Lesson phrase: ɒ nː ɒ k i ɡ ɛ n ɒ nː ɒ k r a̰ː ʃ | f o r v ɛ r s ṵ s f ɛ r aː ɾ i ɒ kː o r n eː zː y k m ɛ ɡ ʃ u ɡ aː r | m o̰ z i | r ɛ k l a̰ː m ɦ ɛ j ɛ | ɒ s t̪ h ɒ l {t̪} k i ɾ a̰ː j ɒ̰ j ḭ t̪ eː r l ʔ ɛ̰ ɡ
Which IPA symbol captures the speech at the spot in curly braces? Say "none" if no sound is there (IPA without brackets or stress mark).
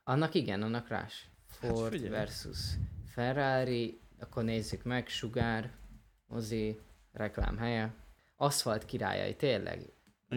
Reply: t̪